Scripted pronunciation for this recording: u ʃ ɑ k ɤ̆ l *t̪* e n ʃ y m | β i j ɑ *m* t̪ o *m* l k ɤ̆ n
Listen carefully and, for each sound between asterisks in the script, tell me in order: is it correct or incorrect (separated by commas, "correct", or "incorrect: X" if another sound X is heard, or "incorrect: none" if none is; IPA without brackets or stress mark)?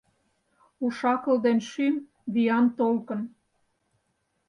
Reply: incorrect: d̪, incorrect: n, incorrect: none